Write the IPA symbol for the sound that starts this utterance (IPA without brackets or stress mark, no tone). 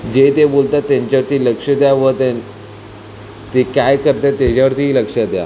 d͡ʑ